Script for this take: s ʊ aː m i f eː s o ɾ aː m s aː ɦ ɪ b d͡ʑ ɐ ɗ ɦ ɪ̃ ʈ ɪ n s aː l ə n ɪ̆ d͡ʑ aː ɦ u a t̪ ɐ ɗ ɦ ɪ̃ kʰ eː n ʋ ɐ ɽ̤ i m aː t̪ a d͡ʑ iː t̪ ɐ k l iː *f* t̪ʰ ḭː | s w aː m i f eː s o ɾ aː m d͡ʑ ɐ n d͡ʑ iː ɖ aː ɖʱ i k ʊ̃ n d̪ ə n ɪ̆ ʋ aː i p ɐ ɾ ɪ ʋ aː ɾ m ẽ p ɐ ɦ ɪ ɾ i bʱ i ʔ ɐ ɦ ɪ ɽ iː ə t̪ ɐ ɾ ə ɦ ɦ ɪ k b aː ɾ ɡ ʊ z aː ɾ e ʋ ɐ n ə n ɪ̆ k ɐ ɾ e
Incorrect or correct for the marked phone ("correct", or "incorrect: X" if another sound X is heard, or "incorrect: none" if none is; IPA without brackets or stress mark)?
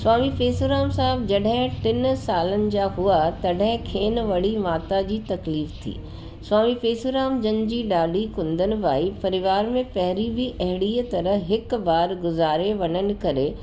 correct